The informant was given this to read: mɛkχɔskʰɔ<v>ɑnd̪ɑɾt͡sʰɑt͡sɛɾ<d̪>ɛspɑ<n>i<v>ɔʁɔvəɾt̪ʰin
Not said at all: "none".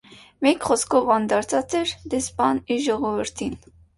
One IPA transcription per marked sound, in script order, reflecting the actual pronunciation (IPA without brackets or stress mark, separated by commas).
v, d̪, n, ʒ